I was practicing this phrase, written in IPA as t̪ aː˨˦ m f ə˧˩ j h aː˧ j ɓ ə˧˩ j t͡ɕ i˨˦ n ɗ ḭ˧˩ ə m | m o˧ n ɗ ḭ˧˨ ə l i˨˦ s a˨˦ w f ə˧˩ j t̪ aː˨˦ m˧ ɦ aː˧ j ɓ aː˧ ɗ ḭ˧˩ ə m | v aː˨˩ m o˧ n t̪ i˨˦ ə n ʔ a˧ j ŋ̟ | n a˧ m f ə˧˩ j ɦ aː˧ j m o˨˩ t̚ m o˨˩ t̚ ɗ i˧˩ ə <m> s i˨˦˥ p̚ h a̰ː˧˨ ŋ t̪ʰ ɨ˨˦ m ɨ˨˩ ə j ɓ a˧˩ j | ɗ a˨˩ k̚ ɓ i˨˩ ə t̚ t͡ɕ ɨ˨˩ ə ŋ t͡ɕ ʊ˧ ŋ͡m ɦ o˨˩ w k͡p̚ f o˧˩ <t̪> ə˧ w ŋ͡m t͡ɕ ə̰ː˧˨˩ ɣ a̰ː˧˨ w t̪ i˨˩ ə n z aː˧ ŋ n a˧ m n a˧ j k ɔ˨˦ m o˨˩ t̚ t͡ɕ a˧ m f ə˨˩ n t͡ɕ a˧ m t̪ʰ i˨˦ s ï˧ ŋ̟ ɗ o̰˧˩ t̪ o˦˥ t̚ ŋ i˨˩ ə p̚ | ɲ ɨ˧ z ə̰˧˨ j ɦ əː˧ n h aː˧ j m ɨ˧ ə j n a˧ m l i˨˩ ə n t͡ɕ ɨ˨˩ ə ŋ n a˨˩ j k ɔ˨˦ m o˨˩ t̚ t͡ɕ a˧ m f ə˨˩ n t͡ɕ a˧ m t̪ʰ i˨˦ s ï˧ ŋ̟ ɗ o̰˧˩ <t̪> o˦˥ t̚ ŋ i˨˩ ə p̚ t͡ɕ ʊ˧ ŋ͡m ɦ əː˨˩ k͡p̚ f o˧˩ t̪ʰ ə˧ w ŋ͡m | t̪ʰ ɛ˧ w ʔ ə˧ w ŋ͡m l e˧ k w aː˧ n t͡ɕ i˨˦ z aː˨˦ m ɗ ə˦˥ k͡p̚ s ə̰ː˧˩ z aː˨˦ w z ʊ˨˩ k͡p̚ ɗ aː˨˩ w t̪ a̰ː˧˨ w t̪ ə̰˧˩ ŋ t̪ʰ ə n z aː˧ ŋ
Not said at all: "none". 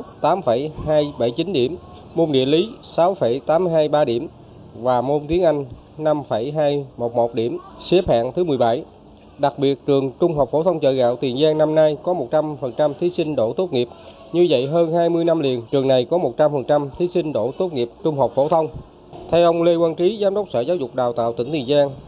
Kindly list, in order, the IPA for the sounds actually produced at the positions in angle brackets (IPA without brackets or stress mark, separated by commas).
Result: m, t̪ʰ, t̪